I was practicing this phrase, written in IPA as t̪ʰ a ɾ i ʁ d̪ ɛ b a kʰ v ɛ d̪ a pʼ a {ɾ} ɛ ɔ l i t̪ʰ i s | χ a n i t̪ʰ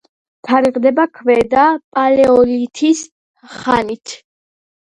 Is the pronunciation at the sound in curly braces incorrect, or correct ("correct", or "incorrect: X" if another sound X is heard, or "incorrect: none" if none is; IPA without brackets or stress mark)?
incorrect: l